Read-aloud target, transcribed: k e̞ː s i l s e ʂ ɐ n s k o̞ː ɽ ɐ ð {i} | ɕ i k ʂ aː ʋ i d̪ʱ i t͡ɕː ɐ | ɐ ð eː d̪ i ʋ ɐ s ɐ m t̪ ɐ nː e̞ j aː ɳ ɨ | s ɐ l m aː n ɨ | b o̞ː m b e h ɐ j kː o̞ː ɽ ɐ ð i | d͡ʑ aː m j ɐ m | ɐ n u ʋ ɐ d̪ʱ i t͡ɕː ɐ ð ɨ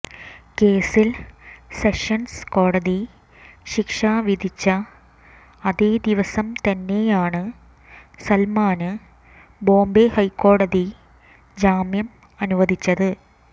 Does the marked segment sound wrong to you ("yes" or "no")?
no